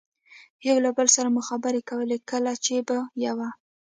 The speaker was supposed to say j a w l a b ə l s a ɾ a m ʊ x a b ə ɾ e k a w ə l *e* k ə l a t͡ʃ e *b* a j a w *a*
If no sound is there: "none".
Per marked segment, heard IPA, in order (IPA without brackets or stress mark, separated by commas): e, b, a